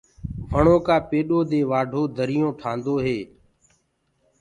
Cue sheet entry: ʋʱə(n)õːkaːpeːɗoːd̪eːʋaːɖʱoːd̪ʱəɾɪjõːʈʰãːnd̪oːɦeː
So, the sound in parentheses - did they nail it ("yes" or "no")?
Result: no